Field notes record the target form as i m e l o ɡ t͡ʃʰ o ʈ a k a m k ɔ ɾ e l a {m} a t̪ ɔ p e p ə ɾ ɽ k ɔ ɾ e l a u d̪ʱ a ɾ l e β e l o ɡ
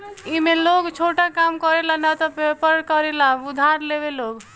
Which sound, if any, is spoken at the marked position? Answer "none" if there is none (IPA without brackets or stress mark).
n